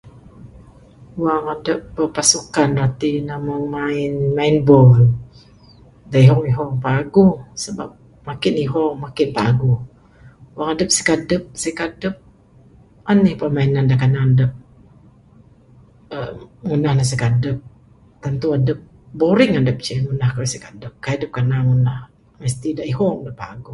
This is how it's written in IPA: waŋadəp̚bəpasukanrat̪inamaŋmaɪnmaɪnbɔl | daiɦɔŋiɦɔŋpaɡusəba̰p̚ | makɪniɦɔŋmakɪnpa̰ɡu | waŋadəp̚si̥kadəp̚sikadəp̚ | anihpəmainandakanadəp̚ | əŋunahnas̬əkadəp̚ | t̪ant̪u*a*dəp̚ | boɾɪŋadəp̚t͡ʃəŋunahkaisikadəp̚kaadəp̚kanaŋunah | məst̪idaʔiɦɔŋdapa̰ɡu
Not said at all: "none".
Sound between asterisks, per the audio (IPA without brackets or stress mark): a